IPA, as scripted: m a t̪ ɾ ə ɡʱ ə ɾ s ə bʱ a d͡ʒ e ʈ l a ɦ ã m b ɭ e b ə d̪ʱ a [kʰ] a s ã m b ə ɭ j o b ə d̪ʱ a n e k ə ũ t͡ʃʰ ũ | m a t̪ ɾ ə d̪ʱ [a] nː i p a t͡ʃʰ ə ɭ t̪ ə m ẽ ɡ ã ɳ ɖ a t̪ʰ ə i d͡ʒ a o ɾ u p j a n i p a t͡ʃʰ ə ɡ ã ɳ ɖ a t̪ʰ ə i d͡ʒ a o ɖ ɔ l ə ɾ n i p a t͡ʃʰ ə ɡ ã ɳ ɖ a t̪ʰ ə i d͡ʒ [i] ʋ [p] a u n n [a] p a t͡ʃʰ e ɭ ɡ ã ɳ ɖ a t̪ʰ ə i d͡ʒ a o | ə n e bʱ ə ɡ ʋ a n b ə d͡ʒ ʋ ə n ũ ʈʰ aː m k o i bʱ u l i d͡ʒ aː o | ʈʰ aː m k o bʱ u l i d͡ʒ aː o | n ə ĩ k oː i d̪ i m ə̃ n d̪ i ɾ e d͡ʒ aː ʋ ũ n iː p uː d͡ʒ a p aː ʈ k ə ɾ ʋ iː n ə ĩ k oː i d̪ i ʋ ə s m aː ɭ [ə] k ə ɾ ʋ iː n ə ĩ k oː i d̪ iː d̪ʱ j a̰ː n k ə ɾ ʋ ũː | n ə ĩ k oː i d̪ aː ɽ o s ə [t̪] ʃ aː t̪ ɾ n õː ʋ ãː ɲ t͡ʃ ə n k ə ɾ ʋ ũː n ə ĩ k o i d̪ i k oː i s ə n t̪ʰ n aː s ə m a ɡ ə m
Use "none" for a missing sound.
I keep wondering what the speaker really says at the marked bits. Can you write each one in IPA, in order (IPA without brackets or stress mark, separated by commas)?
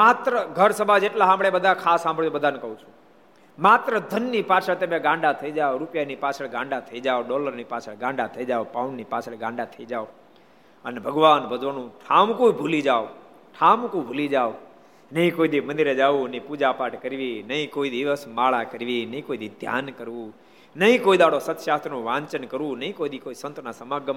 kʰ, ə, a, p, i, a, t̪